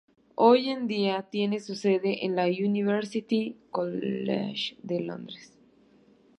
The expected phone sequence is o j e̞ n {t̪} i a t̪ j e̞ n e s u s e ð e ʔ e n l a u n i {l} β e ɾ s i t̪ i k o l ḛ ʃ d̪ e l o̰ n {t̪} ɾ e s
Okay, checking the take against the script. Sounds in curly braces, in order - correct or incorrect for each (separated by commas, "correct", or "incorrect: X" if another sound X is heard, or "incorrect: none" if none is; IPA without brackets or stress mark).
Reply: incorrect: d̪, incorrect: none, incorrect: d̪